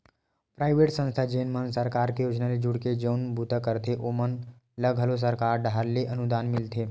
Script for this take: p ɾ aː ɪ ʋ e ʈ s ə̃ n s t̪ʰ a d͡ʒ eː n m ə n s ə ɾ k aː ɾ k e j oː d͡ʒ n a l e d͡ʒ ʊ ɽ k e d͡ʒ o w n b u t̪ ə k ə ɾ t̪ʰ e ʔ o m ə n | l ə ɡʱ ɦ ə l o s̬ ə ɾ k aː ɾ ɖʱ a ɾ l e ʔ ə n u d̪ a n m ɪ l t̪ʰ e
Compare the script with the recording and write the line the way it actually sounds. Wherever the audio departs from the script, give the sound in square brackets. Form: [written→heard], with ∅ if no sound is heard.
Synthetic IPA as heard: p ɾ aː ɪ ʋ e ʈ s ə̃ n s t̪ʰ a d͡ʒ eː n m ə n s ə ɾ k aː ɾ k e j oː d͡ʒ n a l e d͡ʒ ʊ ɽ k e d͡ʒ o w n b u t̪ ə k ə ɾ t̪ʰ e ʔ o m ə n | l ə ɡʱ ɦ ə l o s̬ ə ɾ k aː ɾ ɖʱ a ɾ l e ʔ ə n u d̪ a n m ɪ l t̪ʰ e